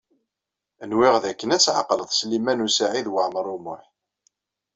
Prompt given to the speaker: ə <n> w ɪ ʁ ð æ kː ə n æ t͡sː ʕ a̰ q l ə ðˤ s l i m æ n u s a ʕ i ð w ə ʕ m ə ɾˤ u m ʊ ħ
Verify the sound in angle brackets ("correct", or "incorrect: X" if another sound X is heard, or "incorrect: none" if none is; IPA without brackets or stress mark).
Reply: correct